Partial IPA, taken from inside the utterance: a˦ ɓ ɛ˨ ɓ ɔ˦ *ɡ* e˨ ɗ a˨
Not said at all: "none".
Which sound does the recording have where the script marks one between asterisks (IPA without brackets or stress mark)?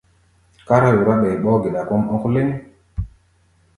ɡ